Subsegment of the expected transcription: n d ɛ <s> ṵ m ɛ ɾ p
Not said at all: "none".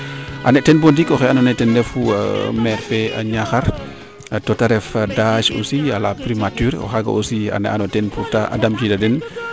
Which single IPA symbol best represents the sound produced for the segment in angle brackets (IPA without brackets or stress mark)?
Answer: f